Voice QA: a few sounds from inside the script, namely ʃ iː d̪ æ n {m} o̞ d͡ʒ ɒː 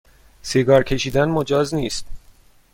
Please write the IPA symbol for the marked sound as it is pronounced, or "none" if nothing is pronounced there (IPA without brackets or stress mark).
m